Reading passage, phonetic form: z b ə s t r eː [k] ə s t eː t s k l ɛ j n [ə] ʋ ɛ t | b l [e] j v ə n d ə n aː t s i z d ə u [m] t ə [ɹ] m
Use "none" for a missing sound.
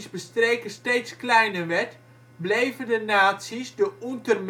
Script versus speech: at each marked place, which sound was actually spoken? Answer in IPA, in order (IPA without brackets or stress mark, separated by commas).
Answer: k, ə, e, n, r